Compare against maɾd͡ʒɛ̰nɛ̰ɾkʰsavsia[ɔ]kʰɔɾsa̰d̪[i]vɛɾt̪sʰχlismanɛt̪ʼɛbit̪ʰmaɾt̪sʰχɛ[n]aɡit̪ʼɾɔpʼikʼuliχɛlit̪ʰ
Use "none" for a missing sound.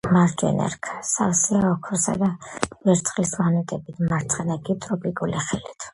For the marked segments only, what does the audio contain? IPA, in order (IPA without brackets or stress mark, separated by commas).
ɔ, a, n